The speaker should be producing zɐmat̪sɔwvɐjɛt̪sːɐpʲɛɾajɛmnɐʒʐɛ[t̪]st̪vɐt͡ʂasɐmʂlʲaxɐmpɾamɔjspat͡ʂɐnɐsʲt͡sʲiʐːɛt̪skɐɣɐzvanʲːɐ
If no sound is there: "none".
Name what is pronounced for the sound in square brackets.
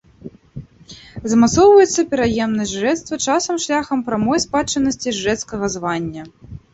t̪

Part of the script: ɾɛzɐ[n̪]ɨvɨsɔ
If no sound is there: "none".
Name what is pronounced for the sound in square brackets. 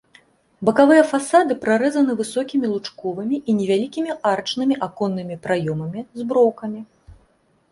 n̪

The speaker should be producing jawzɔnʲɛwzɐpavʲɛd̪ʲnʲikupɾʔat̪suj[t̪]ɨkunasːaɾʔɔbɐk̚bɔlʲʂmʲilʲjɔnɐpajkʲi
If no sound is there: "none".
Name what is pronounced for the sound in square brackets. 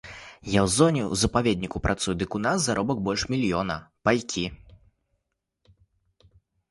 d̪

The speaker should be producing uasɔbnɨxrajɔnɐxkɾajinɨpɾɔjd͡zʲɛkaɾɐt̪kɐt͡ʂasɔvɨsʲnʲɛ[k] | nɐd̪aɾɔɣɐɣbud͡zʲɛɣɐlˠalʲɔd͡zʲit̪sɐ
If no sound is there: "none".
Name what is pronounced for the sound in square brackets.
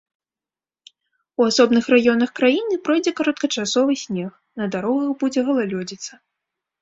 x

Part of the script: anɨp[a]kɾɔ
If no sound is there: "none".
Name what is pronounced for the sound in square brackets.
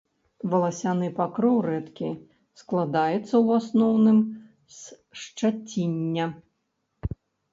a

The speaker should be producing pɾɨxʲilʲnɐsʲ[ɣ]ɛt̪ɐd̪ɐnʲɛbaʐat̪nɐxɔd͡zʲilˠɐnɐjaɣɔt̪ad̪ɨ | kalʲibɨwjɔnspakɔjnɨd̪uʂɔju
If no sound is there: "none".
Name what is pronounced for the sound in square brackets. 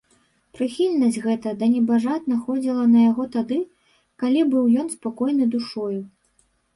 ɣ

